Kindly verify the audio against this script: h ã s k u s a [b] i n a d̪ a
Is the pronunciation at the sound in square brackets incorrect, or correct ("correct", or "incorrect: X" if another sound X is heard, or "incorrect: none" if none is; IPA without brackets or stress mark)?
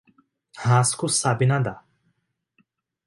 correct